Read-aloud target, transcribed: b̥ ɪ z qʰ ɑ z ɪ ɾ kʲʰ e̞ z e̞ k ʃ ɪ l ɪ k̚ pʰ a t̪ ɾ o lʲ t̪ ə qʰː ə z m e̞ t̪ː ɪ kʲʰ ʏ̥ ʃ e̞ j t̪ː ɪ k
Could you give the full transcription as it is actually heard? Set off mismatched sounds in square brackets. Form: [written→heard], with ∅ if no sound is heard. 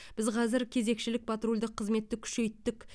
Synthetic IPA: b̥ ɪ z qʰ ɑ z ɪ ɾ kʲʰ e̞ z e̞ k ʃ ɪ l ɪ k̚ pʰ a t̪ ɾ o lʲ [t̪→d̪] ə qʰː ə z m e̞ t̪ː ɪ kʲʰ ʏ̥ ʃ e̞ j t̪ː ɪ k